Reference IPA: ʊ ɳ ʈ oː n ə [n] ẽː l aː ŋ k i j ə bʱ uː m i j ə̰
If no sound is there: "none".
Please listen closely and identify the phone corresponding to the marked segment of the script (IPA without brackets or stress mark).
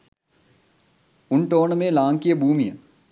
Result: m